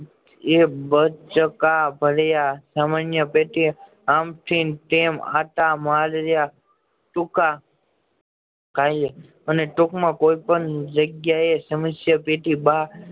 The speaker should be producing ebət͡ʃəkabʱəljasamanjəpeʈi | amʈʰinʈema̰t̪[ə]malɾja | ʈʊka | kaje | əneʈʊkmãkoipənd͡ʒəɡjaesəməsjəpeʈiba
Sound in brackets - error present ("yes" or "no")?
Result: yes